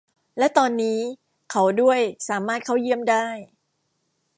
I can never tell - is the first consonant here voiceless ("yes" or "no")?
no